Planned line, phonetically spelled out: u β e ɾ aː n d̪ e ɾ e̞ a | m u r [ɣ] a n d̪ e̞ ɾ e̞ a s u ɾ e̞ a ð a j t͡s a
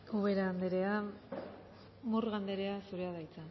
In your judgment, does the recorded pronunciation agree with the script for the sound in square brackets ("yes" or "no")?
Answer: yes